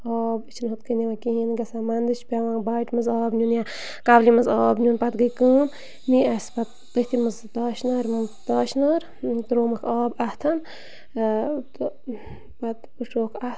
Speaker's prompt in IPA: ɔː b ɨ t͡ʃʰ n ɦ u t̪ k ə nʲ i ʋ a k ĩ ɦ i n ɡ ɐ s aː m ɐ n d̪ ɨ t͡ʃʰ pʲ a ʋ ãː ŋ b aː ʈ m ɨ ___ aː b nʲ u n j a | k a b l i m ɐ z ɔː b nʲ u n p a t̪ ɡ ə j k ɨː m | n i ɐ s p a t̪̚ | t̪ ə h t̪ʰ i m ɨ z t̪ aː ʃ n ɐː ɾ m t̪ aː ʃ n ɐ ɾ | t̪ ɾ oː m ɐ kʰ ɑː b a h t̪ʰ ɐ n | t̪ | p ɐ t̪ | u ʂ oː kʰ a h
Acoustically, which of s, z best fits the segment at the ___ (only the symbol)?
z